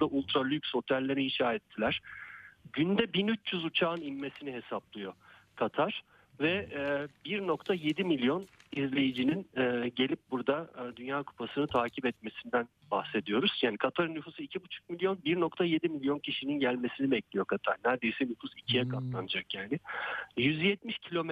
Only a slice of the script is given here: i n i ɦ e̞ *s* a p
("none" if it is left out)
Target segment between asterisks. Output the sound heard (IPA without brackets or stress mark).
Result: s